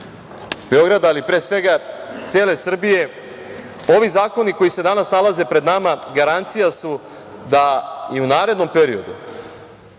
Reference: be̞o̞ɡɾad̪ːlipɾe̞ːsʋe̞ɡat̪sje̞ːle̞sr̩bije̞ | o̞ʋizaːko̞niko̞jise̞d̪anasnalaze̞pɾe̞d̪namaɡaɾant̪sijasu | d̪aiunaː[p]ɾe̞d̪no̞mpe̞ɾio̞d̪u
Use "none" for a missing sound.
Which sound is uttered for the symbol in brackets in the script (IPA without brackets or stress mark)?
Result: none